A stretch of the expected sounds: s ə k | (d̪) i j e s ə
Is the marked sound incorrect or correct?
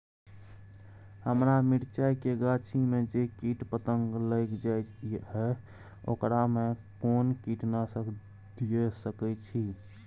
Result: correct